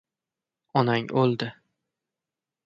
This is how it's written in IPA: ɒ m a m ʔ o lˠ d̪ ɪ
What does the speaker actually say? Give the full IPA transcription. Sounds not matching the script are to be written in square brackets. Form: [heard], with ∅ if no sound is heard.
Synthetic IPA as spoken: ɒ [n] a [ŋ] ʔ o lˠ d̪ ɪ